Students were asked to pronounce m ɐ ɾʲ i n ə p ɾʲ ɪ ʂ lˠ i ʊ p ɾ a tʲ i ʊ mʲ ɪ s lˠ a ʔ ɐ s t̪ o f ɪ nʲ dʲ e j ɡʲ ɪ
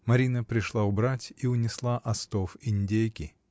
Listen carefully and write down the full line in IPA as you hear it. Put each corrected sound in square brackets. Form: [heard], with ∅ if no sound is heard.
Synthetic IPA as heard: m ɐ ɾʲ i n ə p ɾʲ ɪ ʂ lˠ [a] ʊ [b] ɾ a tʲ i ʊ [nʲ] ɪ s lˠ a ʔ ɐ s t̪ o f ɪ nʲ dʲ e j [kʲ] ɪ